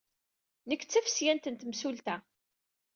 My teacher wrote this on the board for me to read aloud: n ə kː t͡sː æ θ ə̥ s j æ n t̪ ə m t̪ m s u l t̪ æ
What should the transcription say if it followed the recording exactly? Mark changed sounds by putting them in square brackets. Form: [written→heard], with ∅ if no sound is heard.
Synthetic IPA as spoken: n ə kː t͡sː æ [θ→f] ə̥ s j æ n t̪ ə [m→n] t̪ m s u l t̪ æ

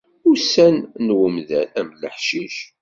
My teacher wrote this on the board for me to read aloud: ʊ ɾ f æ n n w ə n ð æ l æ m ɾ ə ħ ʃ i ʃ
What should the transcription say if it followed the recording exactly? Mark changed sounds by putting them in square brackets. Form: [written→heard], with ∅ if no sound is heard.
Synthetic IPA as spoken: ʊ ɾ [f→s] æ n n w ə [n→m] ð æ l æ m [ɾ→l] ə ħ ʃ i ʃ

